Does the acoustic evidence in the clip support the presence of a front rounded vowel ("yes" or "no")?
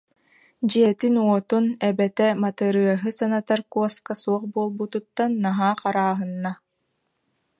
no